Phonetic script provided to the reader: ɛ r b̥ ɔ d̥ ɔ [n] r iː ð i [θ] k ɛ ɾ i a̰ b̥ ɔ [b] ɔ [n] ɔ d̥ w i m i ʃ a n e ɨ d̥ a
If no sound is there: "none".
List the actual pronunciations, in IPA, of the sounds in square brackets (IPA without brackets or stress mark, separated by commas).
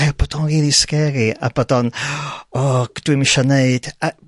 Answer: n, s, d, n